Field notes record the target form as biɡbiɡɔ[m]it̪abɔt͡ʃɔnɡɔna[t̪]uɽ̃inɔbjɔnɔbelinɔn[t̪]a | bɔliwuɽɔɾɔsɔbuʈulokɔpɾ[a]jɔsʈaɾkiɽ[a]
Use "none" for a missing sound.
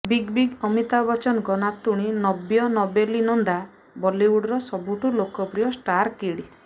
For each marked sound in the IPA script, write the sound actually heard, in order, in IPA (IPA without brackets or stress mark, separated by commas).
m, t̪, d̪, i, i